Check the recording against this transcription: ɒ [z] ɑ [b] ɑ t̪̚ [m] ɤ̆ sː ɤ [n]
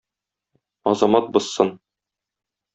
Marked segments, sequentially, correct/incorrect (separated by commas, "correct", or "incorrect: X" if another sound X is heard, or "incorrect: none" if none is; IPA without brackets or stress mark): correct, incorrect: m, incorrect: b, correct